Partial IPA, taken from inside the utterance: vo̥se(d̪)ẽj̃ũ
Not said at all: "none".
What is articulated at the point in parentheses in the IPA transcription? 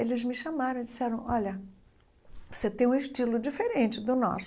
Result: t̪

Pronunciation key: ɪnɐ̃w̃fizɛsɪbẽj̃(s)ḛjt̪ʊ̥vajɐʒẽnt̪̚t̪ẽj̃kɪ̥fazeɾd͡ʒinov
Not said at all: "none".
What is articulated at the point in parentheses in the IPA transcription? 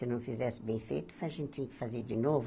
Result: f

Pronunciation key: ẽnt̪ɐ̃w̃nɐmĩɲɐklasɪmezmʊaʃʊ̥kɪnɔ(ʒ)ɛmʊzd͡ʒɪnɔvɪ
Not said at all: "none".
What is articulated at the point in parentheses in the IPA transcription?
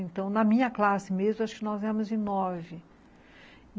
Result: z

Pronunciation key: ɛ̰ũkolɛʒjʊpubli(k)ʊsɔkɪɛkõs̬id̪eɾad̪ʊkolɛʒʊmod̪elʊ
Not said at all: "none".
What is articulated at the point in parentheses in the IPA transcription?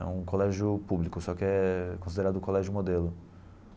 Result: k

